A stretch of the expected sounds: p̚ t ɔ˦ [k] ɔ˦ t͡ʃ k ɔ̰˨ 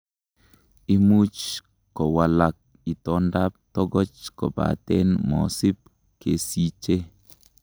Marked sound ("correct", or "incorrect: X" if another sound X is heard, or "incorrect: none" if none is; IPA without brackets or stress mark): incorrect: ɡ